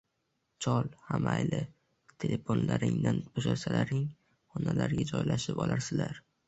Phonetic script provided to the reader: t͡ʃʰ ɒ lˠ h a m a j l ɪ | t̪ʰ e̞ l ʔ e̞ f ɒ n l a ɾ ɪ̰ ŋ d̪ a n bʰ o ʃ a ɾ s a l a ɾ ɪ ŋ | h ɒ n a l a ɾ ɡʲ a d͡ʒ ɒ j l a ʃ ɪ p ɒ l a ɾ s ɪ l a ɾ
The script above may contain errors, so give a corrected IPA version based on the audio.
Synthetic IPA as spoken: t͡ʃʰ ɒ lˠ h a m a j l ɪ | t̪ʰ e̞ l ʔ e̞ f o n l a ɾ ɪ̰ ŋ d̪ a n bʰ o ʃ a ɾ s a l a ɾ ɪ ŋ | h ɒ n a l a ɾ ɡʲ a d͡ʒ ɒ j l a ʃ ɪ p ɒ l a ɾ s ɪ l a ɾ